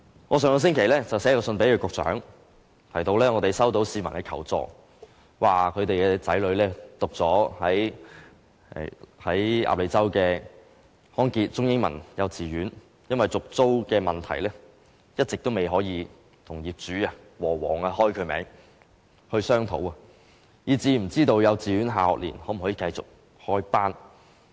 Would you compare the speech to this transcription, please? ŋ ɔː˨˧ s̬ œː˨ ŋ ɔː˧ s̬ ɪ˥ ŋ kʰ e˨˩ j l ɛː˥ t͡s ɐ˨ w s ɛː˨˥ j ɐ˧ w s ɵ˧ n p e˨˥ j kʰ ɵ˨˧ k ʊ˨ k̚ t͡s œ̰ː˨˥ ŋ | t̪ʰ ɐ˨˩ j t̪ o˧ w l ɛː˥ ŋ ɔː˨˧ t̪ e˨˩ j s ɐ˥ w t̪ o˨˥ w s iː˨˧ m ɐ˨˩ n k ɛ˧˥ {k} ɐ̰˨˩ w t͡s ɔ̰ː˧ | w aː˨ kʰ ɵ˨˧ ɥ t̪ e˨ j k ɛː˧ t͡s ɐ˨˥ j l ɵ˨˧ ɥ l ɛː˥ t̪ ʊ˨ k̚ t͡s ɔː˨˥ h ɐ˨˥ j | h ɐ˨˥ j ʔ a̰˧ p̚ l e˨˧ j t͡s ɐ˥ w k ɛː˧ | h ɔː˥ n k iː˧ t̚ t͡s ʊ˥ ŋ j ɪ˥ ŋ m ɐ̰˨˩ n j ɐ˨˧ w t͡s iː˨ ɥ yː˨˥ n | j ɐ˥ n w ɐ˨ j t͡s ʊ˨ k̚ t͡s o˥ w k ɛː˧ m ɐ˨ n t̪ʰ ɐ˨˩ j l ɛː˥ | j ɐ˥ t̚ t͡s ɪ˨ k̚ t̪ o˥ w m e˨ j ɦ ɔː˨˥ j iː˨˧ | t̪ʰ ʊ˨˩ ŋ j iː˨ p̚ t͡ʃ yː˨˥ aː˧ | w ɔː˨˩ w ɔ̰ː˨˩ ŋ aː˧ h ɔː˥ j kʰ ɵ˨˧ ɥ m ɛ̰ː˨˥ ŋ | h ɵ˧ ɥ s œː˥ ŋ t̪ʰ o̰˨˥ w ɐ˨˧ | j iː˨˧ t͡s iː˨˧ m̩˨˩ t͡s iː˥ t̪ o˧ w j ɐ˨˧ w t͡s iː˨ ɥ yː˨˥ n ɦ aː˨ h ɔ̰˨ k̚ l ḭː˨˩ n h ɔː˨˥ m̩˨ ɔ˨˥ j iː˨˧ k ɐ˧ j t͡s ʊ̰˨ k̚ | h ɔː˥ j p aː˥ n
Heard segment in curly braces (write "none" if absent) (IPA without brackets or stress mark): kʰ